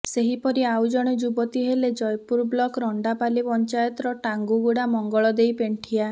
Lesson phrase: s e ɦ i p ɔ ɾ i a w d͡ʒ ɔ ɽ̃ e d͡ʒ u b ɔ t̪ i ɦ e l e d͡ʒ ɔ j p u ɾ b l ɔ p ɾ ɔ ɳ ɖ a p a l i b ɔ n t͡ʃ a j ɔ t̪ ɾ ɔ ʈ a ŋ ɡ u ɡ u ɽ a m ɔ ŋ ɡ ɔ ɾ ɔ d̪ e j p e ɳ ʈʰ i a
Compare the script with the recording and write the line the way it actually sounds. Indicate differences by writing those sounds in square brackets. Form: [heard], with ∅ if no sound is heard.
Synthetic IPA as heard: s e ɦ i p ɔ ɾ i a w d͡ʒ ɔ ɽ̃ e d͡ʒ u b ɔ t̪ i ɦ e l e d͡ʒ ɔ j p u ɾ b l ɔ [k] ɾ ɔ ɳ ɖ a p a l i [p] ɔ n t͡ʃ a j ɔ t̪ ɾ ɔ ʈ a ŋ ɡ u ɡ u ɽ a m ɔ ŋ ɡ ɔ [ɭ] ɔ d̪ e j p e ɳ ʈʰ i a